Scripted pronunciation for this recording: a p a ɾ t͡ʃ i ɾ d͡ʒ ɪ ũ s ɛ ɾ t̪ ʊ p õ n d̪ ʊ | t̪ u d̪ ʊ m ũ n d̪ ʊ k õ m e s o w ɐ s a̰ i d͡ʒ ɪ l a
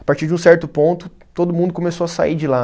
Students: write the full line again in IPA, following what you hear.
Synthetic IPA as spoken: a p a ɾ t͡ʃ i ɾ d͡ʒ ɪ ũ s ɛ ɾ t̪ ʊ p õ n t̪ ʊ | t̪ o d̪ ʊ m ũ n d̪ ʊ k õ m e s o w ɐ s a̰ i d͡ʒ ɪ l a